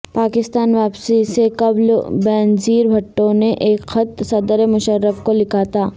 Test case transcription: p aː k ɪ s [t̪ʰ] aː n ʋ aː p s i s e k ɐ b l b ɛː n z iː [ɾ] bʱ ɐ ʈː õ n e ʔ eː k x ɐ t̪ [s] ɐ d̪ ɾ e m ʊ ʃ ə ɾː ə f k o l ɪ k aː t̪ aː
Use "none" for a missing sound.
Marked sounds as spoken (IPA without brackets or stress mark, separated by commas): t̪, ɾ, s